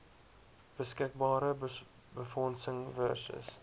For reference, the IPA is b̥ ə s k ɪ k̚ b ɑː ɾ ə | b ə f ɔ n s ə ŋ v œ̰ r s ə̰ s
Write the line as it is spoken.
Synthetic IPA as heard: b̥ ə s k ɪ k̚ b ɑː ɾ ə | b ə f ɔ n s ə ŋ v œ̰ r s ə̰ s

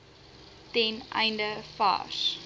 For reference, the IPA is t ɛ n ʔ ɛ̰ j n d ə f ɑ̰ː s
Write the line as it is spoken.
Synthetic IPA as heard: t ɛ n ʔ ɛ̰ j n d ə f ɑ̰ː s

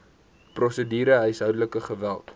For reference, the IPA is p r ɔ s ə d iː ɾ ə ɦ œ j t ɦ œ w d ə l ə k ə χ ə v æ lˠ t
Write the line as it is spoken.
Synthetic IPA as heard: p r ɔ s ə d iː ɾ ə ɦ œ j s ɦ œ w d ə l ə k ə χ ə v æ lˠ t

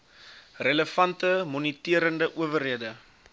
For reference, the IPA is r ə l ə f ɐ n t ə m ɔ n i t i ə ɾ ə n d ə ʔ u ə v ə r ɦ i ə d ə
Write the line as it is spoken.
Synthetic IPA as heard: r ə l ə f ɐ n t ə m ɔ n i t i ə ɾ ə n d ə ʔ u ə v ə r ɦ i ə d ə

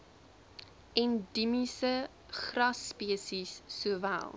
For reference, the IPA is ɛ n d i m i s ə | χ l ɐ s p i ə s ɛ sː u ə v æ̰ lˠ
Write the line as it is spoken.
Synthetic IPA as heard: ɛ n d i m i s ə | χ r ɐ s p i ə s i sː u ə v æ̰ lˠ

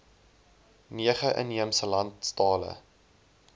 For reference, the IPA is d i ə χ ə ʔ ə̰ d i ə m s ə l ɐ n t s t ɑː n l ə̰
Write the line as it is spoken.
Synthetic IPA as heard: n i ə χ ə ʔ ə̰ n i ə m s ə l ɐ n t s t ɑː l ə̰

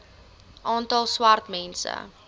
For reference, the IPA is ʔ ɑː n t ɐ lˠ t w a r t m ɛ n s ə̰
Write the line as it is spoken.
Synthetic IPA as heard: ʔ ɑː n t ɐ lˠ s w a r t m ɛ n s ə̰

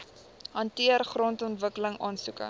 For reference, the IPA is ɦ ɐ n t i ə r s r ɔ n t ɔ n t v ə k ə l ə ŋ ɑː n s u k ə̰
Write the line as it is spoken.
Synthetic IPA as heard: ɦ ɐ n t i ə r χ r ɔ n t ɔ n t v ə k ə l ə ŋ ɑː n s u k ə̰

